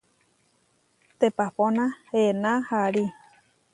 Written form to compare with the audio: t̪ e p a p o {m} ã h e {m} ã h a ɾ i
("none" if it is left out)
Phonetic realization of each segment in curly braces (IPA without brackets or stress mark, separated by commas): n, n